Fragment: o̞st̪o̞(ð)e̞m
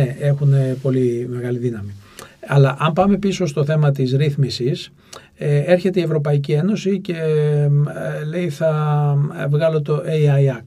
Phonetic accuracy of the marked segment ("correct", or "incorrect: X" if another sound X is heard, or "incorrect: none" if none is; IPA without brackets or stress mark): incorrect: θ